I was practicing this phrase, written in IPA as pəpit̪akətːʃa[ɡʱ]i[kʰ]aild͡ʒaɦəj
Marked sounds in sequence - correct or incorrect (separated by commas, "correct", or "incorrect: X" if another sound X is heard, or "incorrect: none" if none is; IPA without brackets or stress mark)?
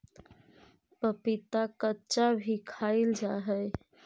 incorrect: bʱ, correct